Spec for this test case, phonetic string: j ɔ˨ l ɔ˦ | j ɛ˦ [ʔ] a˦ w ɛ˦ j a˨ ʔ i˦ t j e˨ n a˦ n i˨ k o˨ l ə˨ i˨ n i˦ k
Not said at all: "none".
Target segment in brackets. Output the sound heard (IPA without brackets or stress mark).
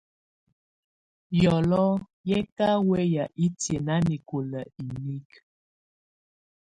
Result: k